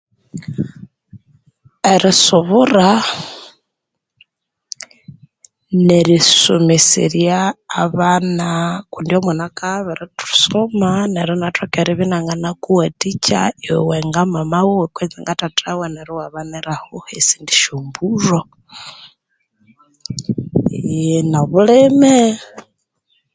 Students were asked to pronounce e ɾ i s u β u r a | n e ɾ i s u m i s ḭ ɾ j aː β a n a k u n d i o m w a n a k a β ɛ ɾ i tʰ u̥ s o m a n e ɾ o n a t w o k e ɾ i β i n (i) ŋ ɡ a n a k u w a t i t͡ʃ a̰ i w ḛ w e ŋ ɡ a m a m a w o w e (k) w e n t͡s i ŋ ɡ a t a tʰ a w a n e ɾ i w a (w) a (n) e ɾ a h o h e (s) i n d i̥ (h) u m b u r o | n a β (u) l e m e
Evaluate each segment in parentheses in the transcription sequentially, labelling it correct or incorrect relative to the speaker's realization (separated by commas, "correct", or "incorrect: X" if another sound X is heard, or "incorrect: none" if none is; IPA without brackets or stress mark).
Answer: incorrect: a, correct, incorrect: β, correct, correct, incorrect: ʃ, correct